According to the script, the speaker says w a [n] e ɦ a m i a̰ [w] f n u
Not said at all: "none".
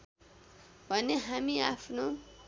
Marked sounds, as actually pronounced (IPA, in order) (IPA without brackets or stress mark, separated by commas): n, none